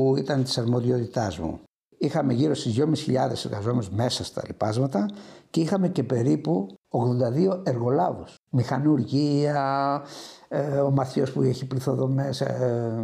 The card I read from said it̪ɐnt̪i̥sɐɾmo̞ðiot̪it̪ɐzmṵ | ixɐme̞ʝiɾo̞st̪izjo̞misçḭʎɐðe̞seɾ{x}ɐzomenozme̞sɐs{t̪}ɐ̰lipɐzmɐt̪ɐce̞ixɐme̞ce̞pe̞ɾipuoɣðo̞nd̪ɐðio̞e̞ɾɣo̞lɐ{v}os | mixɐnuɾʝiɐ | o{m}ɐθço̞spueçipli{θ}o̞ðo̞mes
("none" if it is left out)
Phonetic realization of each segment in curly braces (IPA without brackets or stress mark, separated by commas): ɣ, t̪, v, m, θ